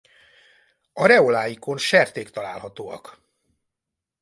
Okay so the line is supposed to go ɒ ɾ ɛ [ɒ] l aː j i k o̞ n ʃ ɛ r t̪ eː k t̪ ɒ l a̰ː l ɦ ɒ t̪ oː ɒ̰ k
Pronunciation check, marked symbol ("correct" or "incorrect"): incorrect